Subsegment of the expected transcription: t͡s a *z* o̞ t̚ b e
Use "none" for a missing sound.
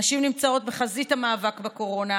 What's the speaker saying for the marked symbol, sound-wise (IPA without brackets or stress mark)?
none